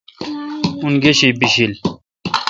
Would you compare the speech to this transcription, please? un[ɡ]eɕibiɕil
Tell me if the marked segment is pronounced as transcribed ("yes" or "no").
yes